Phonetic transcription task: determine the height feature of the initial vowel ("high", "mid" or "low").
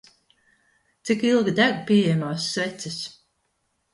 high